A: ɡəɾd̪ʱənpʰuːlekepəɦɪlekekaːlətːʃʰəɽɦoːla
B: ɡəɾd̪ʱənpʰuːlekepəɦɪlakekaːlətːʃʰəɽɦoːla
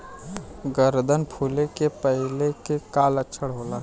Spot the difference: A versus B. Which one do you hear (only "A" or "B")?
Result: A